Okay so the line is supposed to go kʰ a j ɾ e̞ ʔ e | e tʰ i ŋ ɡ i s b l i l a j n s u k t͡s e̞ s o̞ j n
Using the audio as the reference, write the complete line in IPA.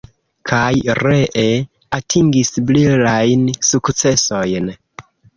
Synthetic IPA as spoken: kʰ a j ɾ e̞ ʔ e | a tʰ i ŋ ɡ i s b l i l a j n s u k t͡s e̞ s o̞ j n